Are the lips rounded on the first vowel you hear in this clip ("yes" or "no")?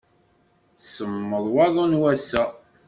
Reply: no